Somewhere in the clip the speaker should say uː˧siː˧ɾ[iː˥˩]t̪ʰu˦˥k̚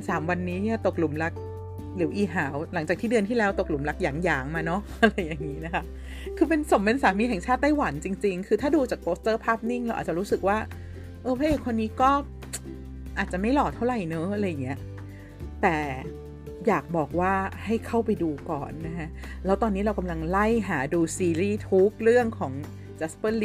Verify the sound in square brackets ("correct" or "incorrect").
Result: correct